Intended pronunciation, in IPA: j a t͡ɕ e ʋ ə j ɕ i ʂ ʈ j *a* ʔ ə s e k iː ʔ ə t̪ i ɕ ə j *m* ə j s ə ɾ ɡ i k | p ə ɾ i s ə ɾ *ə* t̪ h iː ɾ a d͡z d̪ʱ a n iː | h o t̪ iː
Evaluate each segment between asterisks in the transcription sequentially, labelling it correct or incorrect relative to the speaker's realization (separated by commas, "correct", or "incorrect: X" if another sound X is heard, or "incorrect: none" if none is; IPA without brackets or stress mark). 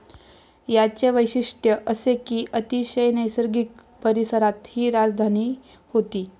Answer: incorrect: ə, incorrect: n, incorrect: a